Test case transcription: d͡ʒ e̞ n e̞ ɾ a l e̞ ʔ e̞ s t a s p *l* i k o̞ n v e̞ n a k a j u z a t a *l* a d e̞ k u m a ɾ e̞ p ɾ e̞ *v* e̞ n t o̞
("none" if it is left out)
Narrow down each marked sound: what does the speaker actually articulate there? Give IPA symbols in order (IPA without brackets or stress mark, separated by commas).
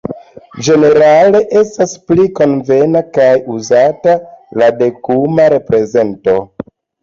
l, l, z